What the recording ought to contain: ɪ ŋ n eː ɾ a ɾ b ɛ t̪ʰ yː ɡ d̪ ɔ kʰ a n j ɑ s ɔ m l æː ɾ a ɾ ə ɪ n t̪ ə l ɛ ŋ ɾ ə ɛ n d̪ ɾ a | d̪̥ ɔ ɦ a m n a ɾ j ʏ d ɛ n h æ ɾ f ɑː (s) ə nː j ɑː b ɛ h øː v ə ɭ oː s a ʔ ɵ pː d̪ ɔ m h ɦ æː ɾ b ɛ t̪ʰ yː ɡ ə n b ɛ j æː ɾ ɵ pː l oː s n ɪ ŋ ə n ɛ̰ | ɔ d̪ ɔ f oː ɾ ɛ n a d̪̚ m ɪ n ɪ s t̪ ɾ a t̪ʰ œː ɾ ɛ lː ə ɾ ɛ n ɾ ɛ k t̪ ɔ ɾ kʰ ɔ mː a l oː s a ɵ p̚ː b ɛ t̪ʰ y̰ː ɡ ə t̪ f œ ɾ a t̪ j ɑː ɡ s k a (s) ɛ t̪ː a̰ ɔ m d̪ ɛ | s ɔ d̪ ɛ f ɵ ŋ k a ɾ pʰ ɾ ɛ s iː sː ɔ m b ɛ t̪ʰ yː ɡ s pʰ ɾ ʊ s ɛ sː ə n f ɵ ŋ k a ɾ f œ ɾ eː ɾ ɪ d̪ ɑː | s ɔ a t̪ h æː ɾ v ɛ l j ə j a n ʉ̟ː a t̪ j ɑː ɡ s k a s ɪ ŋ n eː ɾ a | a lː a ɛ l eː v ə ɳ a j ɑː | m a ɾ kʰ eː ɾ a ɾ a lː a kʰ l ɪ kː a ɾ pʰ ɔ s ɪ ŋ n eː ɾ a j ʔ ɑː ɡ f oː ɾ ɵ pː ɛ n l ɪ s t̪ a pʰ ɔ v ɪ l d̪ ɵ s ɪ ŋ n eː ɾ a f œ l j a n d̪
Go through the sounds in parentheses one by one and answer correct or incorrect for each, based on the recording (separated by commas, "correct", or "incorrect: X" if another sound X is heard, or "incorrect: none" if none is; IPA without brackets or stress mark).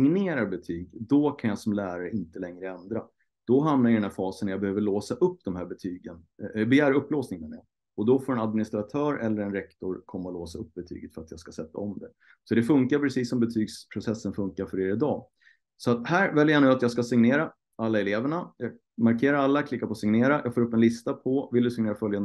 correct, correct